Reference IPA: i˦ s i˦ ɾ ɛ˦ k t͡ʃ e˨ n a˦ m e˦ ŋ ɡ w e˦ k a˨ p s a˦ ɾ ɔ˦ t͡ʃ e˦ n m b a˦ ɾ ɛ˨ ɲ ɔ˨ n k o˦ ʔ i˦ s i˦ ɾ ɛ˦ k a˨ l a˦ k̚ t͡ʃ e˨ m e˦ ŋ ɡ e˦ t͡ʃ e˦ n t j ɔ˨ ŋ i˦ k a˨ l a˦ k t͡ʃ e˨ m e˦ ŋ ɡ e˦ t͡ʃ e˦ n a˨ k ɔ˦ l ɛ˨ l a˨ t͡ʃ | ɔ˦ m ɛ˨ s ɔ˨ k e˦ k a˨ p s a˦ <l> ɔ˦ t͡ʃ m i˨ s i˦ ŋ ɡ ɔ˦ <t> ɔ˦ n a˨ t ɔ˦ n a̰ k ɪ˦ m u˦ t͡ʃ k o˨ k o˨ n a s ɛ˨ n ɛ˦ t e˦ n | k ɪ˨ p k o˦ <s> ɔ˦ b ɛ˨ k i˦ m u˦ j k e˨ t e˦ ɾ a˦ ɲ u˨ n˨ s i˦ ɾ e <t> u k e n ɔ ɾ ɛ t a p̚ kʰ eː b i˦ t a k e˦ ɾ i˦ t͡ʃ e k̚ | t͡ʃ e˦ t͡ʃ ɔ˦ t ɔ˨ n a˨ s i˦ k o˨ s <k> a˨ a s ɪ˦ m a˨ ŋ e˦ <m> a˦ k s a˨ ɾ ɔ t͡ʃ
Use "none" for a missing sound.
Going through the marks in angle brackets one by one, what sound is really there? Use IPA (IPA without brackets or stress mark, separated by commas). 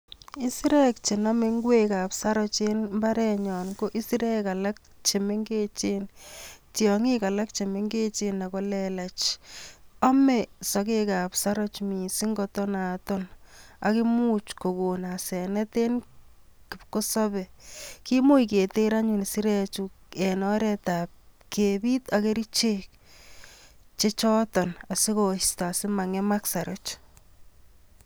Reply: ɾ, t, s, t͡ʃ, t, m